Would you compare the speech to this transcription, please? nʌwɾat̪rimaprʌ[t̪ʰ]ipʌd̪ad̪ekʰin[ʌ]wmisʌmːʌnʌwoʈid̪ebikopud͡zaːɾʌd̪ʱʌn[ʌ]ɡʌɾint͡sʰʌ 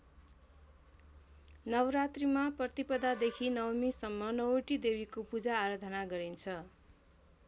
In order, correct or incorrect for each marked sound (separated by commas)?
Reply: incorrect, correct, incorrect